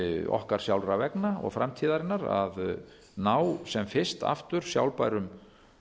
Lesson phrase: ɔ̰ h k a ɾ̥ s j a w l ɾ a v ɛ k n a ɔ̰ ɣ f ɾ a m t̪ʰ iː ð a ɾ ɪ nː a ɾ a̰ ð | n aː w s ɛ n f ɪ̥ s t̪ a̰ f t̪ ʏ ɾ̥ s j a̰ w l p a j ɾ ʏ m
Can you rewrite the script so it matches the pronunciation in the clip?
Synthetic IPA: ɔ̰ h k a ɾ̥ s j a w l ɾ a v ɛ k n a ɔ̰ ɣ f ɾ a m t̪ʰ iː ð a ɾ ɪ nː a ɾ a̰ ð | n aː w s ɛ m f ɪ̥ s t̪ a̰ f t̪ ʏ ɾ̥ s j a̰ w l p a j ɾ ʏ m